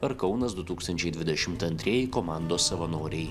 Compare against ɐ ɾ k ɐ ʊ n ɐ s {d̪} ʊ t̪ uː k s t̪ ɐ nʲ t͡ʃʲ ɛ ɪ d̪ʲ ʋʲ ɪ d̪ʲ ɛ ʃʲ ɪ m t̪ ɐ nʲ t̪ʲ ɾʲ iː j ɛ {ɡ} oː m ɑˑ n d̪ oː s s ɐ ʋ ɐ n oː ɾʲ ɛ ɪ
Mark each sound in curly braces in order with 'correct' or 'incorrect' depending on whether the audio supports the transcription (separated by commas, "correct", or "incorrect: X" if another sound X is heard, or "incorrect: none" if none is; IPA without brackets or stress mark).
correct, incorrect: k